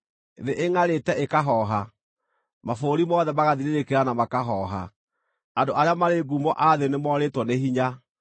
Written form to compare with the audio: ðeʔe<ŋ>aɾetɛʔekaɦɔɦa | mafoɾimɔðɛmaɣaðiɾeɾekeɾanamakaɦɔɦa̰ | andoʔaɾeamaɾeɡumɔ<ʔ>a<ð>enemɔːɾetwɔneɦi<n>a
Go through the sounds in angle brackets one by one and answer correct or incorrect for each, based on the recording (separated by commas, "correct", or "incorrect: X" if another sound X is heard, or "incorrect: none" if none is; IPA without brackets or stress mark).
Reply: correct, correct, correct, incorrect: ɲ